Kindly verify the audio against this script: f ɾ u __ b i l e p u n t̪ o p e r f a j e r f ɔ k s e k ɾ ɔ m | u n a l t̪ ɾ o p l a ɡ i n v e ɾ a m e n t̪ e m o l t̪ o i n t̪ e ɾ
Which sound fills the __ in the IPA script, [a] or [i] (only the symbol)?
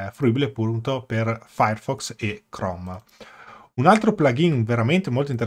i